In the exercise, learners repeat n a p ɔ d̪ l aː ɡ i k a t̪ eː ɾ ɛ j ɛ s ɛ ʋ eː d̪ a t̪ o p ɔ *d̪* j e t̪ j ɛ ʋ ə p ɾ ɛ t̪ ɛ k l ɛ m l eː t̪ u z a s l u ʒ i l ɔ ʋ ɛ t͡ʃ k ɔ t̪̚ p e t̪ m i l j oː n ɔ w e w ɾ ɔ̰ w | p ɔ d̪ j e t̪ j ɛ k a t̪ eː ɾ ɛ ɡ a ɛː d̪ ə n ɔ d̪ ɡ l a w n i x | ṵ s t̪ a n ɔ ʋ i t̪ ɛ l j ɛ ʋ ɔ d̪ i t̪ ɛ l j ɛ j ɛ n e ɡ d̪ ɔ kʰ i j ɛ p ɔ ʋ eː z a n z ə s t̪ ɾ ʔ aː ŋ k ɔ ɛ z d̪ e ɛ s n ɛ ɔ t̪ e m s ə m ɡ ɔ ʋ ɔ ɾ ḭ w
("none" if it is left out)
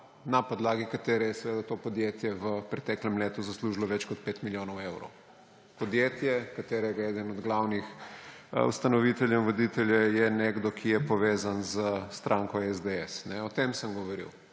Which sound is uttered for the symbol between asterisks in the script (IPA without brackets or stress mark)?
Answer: d̪